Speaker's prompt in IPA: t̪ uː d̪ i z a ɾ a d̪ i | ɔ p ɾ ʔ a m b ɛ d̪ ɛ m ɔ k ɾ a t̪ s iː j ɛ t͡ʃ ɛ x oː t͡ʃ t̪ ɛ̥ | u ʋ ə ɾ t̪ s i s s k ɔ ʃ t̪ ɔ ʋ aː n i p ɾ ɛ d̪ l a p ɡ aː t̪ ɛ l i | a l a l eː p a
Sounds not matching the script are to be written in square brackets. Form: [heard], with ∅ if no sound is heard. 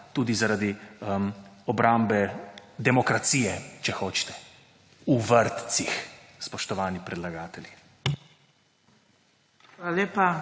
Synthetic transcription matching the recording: t̪ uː d̪ i z a ɾ a d̪ i | ɔ [b] ɾ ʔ a m b ɛ d̪ ɛ m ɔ k ɾ a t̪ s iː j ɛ t͡ʃ ɛ x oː t͡ʃ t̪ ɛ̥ | u ʋ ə ɾ t̪ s i [x] s [p] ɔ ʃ t̪ ɔ ʋ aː n i p ɾ ɛ d̪ l a [∅] ɡ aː t̪ ɛ l i | a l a l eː p a